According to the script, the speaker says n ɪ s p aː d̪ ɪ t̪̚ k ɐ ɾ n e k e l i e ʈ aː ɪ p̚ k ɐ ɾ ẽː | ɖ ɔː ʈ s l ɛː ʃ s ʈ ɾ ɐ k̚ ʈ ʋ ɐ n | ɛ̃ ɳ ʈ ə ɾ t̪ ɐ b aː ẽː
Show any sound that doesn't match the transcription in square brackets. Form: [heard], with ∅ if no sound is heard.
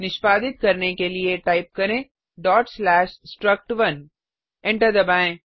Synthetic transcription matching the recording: n ɪ [ʃ] p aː d̪ ɪ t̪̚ k ɐ ɾ n e k e l i e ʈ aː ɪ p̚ k ɐ ɾ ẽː | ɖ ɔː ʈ s l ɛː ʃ s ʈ ɾ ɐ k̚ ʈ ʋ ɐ n | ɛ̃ ɳ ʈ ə ɾ [d̪] ɐ b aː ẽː